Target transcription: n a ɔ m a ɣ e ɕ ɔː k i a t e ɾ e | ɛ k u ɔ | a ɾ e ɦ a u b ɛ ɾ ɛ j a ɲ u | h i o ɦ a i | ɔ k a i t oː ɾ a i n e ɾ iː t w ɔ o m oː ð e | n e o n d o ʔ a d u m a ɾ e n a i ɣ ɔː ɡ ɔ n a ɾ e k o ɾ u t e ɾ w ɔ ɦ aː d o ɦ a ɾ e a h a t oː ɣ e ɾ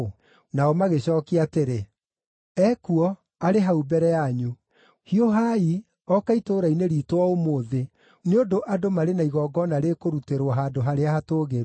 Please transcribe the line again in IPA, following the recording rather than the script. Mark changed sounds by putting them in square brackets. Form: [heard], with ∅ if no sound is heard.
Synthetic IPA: n a ɔ m a ɣ e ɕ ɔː k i a t e ɾ e | ɛ k u ɔ | a ɾ e ɦ a u b ɛ ɾ ɛ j a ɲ u | h i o ɦ a i | ɔ k a i t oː ɾ a i n e ɾ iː t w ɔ o m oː ð e | n e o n d o ʔ a d [o] m a ɾ e n a i ɣ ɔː ɡ ɔ n a ɾ e k o ɾ u t e ɾ w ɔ ɦ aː d o ɦ a ɾ e a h a t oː ɣ e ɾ